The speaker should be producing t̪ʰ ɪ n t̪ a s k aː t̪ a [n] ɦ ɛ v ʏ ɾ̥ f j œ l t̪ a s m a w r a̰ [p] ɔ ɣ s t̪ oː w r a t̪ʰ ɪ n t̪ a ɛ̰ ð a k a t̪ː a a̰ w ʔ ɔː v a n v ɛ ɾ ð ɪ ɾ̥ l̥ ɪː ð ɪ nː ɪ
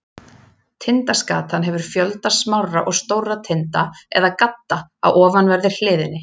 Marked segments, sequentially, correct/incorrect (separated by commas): correct, incorrect